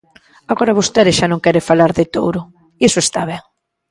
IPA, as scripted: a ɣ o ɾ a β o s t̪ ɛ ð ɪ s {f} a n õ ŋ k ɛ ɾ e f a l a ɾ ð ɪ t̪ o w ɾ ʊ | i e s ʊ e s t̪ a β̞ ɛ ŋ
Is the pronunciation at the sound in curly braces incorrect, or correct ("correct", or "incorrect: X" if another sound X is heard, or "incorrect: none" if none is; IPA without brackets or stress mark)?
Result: incorrect: ʃ